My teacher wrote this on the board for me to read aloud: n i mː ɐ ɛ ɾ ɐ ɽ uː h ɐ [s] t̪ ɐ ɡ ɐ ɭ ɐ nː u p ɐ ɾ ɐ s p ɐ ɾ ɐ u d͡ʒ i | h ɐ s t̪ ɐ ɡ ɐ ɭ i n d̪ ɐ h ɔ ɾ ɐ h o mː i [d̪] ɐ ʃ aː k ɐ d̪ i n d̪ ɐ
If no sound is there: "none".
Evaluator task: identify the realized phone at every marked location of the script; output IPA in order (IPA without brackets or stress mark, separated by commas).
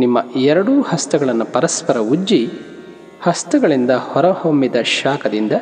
s, d̪